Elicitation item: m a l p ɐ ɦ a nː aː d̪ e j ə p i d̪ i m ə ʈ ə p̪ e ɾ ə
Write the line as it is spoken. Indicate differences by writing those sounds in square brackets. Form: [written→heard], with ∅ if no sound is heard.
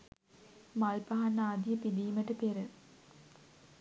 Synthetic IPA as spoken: m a l p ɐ ɦ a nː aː d̪ [e→i] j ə p i d̪ [i→iː] m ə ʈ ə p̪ e ɾ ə